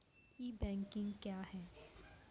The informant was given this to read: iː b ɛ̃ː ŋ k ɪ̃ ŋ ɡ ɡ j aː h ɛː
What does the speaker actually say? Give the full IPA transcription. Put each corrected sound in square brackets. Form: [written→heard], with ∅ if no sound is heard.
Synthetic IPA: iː b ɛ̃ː ŋ k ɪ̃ ŋ ɡ [ɡ→k] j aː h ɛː